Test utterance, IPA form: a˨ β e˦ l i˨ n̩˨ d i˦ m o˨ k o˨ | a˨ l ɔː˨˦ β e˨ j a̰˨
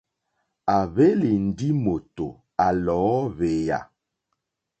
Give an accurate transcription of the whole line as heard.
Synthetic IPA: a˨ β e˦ l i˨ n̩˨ d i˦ m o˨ t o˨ | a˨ l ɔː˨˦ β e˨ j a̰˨